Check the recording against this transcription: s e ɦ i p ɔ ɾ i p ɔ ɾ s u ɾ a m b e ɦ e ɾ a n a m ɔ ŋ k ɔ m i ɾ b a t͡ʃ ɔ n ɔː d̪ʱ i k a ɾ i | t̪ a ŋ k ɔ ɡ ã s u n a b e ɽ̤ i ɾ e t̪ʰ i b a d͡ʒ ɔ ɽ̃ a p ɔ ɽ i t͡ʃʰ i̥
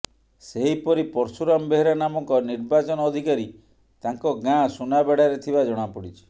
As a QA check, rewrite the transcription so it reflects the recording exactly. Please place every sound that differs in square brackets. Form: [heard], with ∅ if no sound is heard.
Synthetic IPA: s e ɦ i p ɔ ɾ i p ɔ ɾ s u ɾ a m b e ɦ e ɾ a n a m ɔ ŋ k ɔ [n] i ɾ b a t͡ʃ ɔ n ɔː d̪ʱ i k a ɾ i | t̪ a ŋ k ɔ ɡ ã s u n a b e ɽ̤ [a] ɾ e t̪ʰ i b a d͡ʒ ɔ ɽ̃ a p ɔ ɽ i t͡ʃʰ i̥